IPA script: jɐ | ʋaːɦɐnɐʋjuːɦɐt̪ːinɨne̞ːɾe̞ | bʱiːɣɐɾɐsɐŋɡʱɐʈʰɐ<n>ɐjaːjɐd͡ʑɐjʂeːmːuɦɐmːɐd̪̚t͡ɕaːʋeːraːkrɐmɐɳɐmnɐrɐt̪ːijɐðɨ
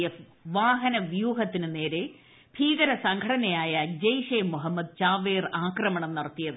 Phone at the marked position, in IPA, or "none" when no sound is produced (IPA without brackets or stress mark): n